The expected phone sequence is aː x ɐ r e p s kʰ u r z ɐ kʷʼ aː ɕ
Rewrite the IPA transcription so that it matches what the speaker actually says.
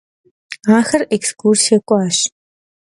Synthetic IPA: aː x ɐ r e k s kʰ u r s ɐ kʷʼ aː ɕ